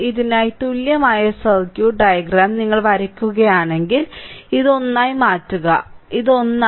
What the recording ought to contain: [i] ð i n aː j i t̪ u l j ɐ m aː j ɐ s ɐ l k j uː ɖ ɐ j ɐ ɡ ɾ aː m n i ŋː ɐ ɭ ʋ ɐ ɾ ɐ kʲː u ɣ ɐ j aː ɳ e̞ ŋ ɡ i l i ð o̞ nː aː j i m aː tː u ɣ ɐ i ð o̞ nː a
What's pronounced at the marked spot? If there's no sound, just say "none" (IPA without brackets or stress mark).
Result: i